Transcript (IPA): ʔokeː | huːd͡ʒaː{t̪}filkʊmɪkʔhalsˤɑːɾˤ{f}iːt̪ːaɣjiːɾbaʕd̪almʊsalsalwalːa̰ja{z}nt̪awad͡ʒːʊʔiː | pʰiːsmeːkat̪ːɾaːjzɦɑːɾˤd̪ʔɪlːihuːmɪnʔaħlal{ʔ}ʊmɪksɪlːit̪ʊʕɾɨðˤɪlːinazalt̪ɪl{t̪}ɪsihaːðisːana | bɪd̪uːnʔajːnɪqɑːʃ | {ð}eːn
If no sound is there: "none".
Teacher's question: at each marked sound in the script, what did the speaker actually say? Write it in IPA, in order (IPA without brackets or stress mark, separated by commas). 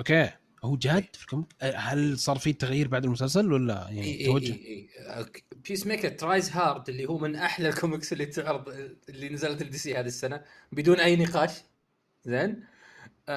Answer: d̪, f, ʕ, k, d̪, z